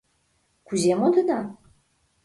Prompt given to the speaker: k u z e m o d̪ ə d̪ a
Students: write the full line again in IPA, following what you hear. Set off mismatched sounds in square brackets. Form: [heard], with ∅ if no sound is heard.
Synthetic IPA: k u z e m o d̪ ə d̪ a